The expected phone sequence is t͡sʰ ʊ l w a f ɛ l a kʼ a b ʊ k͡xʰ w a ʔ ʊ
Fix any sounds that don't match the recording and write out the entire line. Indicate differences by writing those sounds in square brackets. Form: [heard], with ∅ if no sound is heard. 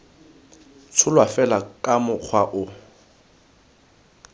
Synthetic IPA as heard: t͡sʰ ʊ l w a f ɛ l a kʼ a [m] ʊ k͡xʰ w a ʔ ʊ